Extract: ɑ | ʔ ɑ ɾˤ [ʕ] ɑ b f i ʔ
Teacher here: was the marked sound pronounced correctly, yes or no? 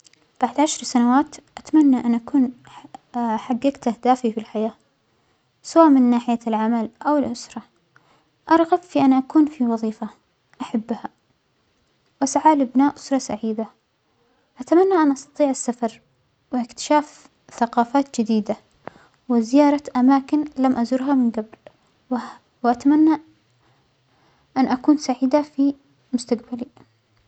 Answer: no